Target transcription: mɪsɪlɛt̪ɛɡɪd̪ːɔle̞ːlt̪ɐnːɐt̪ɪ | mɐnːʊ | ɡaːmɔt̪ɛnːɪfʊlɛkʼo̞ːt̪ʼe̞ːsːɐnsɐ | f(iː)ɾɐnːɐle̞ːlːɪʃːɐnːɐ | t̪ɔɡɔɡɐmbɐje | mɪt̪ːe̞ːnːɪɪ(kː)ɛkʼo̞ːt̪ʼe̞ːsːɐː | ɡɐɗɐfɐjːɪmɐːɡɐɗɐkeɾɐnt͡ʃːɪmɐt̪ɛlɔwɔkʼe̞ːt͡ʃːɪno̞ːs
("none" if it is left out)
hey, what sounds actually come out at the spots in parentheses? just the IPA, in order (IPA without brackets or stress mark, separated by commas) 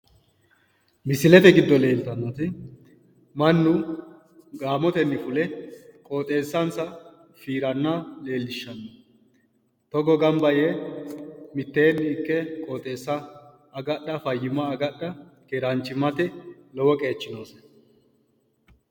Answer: iː, kː